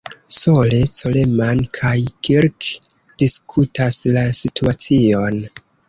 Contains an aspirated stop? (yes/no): yes